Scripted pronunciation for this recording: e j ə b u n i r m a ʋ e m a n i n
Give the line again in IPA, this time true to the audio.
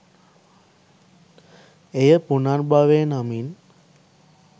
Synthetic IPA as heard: e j ə p u n a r b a ʋ e n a m i n